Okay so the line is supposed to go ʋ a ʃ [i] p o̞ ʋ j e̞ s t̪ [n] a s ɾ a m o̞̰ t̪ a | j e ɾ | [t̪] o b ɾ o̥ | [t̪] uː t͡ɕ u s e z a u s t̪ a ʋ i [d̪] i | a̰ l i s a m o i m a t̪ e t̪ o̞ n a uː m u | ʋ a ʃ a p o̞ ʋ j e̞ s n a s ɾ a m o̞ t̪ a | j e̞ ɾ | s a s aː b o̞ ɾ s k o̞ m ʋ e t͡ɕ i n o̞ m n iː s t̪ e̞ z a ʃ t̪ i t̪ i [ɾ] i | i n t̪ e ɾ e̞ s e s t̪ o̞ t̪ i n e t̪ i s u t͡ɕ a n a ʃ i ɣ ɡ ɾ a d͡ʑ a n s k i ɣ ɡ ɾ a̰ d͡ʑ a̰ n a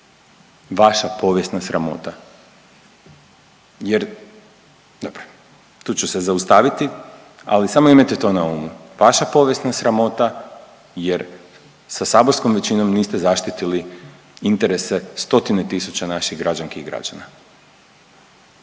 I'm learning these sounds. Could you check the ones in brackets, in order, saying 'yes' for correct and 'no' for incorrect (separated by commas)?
no, yes, no, yes, no, no